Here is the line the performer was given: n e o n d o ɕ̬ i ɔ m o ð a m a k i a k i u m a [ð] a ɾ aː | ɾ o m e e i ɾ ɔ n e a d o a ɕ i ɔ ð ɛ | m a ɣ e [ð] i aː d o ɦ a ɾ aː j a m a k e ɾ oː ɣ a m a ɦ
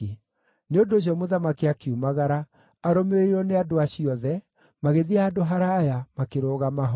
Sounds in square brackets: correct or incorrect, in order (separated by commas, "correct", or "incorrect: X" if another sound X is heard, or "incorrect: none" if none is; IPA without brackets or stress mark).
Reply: incorrect: ɣ, correct